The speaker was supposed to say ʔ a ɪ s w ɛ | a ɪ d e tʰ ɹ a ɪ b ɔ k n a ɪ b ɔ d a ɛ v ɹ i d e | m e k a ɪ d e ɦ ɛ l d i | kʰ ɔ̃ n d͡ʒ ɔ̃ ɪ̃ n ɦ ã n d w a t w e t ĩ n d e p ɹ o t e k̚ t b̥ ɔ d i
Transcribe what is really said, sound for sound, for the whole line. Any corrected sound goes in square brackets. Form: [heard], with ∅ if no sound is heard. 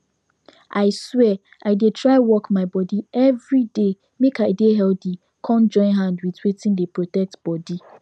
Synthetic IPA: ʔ a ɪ s w ɛ | a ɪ d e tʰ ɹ a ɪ [w] ɔ k [m] a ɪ b ɔ d [i] ɛ v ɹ i d e | m e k a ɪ d e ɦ ɛ l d i | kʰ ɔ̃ n d͡ʒ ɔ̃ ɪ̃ n ɦ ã n d w [i] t w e t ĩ n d e p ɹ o t [ɛ] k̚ t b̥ ɔ d i